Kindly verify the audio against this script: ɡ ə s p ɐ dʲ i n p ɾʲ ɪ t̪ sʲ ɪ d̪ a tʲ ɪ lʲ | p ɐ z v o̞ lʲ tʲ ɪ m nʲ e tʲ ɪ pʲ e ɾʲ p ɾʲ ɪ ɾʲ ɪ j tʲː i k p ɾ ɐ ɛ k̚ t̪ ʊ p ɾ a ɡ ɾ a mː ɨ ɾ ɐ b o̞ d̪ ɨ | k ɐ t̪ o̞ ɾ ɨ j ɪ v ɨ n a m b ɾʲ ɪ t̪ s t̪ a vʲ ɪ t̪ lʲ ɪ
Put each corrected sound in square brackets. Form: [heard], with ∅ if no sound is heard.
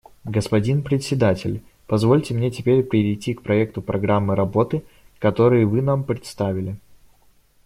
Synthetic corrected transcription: ɡ ə s p ɐ dʲ i n p ɾʲ ɪ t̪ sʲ ɪ d̪ a tʲ ɪ lʲ | p ɐ z v o̞ lʲ tʲ ɪ m nʲ e tʲ ɪ pʲ e ɾʲ p ɾʲ ɪ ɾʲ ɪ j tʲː i k p ɾ ɐ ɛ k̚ t̪ ʊ p ɾ [ɐ] ɡ ɾ a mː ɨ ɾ ɐ b o̞ [t̪] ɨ | k ɐ t̪ o̞ ɾ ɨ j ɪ v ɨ n a m [p] ɾʲ ɪ t̪ s t̪ a vʲ ɪ [∅] lʲ ɪ